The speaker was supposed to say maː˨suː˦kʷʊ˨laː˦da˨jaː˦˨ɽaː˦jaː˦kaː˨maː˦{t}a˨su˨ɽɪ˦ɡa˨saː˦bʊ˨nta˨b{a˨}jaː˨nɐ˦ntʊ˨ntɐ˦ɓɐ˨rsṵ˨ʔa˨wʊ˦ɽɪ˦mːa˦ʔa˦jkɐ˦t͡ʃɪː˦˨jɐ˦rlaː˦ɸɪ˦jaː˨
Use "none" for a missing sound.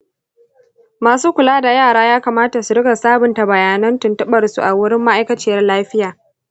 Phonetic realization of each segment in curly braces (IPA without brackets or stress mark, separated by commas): t, ɐ˨